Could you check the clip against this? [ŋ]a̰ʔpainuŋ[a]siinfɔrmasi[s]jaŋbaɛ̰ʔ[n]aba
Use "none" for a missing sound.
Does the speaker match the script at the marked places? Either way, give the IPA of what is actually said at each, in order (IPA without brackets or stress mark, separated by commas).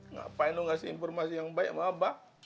ŋ, a, none, m